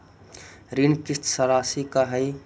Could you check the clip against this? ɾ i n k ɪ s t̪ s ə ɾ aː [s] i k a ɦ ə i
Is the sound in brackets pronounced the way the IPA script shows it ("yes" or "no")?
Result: yes